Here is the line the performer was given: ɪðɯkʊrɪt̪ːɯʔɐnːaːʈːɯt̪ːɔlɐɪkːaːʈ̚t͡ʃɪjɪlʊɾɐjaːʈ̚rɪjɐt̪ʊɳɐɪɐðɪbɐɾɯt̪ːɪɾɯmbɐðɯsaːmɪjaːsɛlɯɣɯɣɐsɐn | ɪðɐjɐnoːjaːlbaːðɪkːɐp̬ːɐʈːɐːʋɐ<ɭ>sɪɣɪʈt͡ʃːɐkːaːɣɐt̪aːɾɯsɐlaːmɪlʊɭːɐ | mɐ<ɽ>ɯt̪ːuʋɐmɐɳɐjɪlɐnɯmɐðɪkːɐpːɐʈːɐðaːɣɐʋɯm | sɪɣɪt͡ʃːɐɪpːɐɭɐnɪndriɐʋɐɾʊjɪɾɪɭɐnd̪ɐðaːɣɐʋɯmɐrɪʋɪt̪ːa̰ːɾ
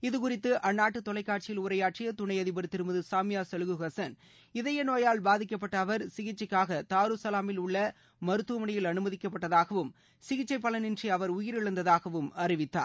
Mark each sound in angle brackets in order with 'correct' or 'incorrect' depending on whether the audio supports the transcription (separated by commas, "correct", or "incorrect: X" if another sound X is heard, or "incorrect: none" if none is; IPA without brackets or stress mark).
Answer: incorrect: ɾ, incorrect: ɾ